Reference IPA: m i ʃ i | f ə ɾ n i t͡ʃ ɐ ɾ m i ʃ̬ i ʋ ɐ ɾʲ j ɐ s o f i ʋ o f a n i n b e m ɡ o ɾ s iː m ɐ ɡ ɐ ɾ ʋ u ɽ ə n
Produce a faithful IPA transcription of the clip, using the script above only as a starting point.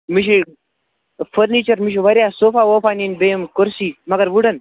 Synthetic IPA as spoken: m i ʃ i | f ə ɾ n i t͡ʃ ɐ ɾ m i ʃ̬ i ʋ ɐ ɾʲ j a s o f a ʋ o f a n i n b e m k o ɾ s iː m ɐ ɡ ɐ ɾ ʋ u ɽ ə n